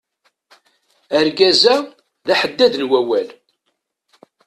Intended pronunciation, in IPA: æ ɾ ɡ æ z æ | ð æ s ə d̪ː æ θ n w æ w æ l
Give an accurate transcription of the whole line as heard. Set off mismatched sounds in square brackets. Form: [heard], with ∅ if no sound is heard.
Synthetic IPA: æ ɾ ɡ æ z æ | ð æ [ħ] ə d̪ː æ [ð] n w æ w æ l

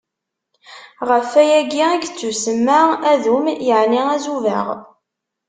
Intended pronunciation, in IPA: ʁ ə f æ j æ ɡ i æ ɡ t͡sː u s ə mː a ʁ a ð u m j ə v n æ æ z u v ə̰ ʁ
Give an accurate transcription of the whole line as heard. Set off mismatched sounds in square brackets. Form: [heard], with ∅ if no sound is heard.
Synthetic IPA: ʁ ə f æ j æ ɡ i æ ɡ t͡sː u s ə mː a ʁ [æ] ð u m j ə [ʕ] n [i] æ z u v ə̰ ʁ

